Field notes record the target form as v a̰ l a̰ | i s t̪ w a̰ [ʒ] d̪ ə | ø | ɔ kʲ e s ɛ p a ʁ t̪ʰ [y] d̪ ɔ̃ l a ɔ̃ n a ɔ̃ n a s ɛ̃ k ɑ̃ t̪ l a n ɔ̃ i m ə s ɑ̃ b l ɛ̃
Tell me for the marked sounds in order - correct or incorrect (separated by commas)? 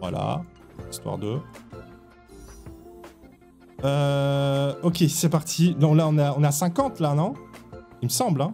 incorrect, incorrect